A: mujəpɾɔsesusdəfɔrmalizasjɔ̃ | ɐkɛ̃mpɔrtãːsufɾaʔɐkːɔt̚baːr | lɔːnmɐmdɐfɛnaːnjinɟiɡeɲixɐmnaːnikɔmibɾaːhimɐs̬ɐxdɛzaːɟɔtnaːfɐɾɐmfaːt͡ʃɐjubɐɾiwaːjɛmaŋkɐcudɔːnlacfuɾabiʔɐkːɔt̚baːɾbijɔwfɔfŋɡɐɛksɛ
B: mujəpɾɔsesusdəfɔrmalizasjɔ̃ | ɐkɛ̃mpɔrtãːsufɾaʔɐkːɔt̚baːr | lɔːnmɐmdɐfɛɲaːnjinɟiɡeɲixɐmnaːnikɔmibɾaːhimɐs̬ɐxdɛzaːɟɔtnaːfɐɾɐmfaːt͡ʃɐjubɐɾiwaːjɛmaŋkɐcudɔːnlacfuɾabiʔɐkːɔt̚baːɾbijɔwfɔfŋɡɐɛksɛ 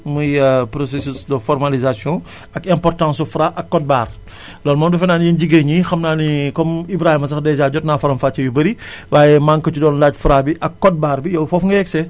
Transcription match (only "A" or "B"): A